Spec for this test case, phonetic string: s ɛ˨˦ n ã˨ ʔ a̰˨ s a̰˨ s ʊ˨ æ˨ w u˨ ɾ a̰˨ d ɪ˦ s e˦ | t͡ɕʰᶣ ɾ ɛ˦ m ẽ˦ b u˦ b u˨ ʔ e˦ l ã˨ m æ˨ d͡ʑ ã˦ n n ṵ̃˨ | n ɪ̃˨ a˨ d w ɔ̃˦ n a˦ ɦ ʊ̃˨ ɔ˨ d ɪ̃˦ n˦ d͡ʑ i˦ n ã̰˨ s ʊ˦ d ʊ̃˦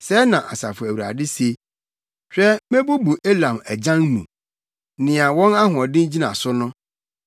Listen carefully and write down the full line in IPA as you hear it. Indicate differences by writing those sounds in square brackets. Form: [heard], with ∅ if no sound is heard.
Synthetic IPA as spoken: s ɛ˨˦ n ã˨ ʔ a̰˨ s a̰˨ [f] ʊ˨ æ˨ w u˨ ɾ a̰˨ d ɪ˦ s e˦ | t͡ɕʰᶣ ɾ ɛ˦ m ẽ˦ b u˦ b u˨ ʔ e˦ l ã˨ m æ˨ d͡ʑ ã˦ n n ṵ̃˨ | n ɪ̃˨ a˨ [∅] w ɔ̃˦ n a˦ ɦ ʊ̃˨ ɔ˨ d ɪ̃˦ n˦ d͡ʑ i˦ n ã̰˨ s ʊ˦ [n] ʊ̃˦